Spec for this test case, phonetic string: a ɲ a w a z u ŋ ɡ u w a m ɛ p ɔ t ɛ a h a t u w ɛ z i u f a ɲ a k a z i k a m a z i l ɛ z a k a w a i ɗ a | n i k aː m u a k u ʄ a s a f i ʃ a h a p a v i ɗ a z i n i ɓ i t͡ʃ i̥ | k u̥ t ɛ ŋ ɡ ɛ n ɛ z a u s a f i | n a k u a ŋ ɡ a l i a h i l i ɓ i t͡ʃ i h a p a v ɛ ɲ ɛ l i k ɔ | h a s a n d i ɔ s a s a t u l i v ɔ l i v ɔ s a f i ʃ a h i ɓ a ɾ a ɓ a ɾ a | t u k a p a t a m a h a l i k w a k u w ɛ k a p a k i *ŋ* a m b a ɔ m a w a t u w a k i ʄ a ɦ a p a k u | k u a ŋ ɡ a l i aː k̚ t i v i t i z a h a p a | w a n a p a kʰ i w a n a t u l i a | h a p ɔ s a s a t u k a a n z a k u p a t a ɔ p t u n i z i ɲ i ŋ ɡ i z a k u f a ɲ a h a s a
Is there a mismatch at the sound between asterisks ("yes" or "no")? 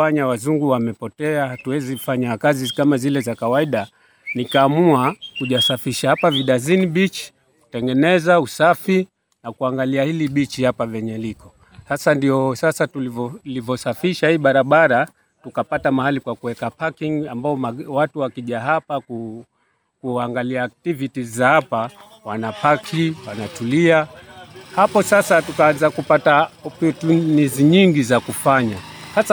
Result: no